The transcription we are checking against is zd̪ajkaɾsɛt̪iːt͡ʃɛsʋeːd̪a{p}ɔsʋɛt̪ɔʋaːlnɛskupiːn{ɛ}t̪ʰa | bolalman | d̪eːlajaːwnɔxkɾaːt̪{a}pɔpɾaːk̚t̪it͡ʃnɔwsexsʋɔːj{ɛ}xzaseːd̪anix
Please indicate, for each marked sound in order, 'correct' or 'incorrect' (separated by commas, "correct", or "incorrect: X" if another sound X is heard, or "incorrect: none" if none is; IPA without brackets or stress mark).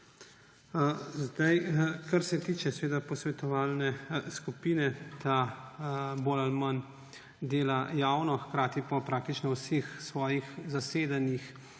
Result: correct, correct, incorrect: i, incorrect: i